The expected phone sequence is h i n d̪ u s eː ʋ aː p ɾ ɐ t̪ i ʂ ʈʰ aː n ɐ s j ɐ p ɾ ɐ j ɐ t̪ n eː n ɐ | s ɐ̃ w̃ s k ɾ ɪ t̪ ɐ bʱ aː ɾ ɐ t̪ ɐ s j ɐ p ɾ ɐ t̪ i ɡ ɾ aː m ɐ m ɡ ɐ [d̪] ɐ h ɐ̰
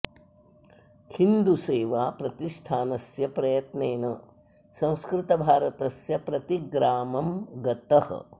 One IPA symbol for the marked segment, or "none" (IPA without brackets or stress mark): t̪